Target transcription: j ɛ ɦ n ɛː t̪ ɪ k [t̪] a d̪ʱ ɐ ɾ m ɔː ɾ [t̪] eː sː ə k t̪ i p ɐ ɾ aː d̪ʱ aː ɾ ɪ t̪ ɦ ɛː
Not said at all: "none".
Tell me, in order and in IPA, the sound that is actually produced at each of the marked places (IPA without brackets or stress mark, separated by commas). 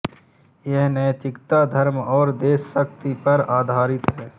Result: t̪, d̪